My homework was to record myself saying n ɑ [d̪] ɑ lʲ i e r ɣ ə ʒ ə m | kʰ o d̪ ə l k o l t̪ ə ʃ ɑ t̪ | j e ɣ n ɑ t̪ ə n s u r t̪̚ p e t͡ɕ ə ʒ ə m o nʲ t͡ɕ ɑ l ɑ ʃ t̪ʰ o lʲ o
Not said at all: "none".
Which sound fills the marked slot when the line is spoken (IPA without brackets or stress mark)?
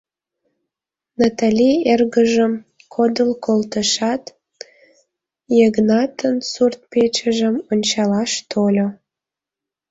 t̪